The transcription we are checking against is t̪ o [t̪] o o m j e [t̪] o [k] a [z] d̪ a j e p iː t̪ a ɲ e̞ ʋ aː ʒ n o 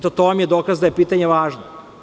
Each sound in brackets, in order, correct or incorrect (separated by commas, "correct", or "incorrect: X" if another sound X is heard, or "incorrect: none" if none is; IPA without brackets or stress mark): correct, incorrect: d̪, correct, correct